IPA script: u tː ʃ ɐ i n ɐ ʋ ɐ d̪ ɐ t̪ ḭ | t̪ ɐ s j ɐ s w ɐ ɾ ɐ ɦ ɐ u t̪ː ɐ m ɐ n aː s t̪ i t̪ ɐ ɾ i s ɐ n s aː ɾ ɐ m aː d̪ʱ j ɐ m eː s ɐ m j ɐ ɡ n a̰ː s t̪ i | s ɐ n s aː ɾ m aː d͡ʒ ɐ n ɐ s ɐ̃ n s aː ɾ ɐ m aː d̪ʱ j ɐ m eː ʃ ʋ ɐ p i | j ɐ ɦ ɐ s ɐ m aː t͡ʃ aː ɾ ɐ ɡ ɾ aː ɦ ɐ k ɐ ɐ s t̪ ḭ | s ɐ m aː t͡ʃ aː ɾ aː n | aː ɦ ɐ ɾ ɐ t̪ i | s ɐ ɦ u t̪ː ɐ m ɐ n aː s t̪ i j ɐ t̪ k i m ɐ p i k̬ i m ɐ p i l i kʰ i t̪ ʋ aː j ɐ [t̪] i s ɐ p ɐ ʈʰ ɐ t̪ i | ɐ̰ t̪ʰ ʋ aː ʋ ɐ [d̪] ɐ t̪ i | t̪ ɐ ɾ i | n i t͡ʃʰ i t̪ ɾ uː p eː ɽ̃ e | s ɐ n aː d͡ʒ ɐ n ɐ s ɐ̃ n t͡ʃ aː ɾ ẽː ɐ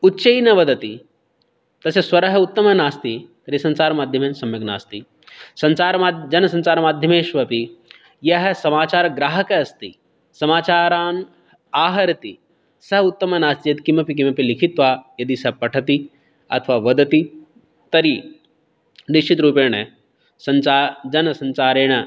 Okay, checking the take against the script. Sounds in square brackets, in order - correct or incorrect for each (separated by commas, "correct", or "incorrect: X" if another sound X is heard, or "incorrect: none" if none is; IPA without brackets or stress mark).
incorrect: d̪, correct